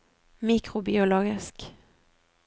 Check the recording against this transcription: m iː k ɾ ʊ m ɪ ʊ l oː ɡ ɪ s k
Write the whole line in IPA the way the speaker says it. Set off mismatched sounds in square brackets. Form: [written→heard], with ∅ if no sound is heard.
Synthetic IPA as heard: m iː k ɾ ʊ [m→b] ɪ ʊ l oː ɡ ɪ s k

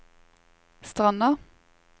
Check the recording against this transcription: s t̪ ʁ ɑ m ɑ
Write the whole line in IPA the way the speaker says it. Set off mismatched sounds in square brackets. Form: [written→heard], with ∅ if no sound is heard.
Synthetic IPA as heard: s t̪ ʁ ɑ [m→n] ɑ

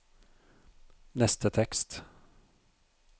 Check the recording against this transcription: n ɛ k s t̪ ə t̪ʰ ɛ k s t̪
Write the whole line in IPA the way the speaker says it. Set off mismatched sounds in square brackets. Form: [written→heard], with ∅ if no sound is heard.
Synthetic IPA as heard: n ɛ [k→∅] s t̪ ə t̪ʰ ɛ k s t̪

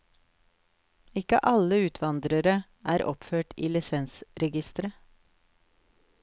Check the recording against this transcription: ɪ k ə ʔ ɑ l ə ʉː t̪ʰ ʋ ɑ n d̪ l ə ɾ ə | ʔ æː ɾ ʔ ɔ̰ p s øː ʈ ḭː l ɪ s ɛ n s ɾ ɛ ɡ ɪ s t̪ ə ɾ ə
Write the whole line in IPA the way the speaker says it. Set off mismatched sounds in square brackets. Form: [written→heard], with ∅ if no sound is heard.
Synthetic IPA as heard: ɪ k ə ʔ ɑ l ə ʉː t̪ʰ ʋ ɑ n d̪ [l→ɾ] ə ɾ ə | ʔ æː ɾ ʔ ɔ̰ p [s→f] øː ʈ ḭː l ɪ s ɛ n s ɾ ɛ ɡ ɪ s t̪ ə ɾ ə

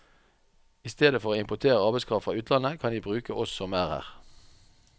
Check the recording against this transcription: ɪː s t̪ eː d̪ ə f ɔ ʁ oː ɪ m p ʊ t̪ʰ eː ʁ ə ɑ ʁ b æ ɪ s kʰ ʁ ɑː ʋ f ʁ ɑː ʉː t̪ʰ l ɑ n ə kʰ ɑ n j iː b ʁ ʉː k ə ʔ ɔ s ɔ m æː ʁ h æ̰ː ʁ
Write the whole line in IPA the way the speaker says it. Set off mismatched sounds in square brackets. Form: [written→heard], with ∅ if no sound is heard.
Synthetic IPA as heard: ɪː s t̪ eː d̪ ə f ɔ ʁ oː ɪ m p ʊ t̪ʰ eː ʁ ə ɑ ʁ b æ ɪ s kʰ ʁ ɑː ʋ f ʁ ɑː ʉː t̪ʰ l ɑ n ə kʰ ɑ n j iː b ʁ ʉː k ə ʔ ɔ s ɔ m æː ʁ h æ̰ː ʁ

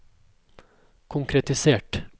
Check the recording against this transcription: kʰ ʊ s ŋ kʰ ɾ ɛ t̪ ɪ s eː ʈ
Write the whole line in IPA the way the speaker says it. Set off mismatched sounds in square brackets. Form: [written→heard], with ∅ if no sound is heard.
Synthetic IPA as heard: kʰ ʊ [s→∅] ŋ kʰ ɾ ɛ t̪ ɪ s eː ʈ

